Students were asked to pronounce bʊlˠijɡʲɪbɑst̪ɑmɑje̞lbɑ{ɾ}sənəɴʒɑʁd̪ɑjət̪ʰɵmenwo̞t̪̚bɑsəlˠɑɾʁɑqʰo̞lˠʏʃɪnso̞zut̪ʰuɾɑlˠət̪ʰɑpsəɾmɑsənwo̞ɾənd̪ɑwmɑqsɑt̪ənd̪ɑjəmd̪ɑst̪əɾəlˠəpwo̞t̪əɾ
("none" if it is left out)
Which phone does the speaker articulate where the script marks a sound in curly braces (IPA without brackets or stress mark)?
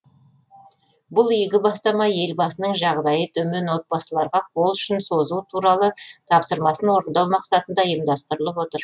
none